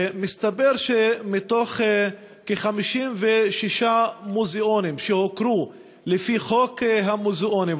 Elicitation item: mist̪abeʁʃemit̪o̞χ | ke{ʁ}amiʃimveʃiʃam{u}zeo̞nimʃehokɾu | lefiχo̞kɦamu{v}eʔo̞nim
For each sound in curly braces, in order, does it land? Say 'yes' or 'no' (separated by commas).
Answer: no, yes, no